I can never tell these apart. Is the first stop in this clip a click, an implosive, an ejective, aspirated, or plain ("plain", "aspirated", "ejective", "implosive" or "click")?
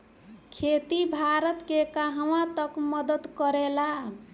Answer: aspirated